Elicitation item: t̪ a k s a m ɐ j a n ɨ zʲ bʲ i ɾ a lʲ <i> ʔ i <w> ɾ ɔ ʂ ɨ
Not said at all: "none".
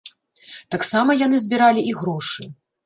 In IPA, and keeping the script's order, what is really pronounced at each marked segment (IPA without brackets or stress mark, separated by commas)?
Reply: i, ɣ